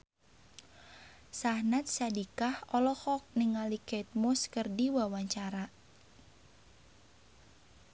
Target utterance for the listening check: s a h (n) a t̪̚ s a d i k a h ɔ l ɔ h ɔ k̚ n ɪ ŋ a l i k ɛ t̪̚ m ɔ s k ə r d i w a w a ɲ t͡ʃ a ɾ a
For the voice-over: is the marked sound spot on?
yes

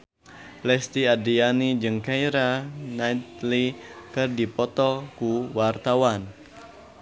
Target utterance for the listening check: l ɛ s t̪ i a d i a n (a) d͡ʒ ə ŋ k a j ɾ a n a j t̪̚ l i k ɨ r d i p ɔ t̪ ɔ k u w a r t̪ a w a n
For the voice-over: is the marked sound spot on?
no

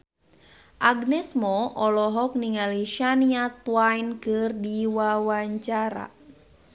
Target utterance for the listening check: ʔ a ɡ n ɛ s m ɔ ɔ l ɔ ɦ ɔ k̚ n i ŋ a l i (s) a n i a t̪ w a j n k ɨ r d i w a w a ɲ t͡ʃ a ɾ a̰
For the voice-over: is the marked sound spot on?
no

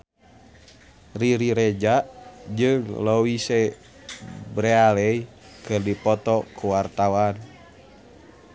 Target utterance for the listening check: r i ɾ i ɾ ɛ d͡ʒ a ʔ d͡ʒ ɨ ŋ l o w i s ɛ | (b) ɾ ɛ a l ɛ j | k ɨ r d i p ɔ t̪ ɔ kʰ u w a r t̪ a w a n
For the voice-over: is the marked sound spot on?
yes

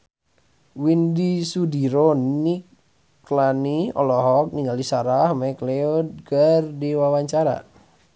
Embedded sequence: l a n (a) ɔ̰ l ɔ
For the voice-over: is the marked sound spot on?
no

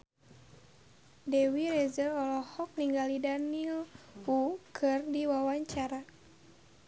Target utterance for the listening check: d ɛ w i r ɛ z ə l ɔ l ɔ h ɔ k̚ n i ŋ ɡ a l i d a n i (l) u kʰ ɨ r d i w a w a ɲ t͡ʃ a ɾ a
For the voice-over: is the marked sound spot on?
yes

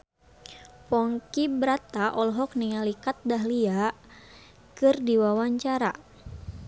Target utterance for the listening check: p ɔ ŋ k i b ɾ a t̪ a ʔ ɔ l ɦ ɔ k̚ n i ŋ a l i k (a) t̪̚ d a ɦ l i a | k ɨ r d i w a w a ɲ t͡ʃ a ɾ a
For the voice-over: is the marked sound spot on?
yes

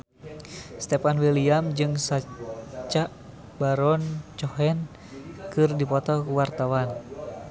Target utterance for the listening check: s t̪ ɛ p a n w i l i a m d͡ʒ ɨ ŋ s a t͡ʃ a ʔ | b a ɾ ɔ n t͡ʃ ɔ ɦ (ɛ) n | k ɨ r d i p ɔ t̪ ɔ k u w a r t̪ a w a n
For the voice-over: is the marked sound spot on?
yes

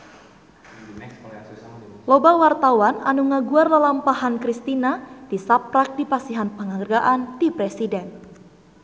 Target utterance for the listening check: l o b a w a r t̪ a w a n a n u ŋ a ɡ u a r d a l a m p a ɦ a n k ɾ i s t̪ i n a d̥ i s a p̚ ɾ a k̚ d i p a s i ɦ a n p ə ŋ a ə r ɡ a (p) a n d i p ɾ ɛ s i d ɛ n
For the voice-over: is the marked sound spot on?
no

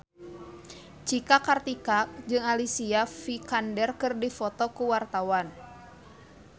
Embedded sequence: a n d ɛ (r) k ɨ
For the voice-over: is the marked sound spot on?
yes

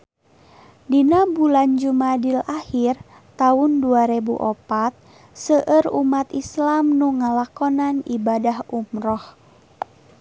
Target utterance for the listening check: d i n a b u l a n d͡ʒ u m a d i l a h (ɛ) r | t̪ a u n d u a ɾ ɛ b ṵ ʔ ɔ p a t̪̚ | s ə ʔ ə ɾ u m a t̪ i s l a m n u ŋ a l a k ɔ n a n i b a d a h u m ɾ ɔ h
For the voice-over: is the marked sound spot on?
no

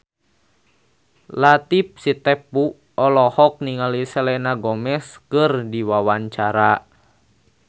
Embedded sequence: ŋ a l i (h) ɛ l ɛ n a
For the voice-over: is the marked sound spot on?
no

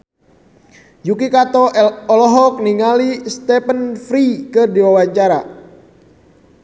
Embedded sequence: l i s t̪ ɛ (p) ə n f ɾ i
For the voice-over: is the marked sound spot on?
yes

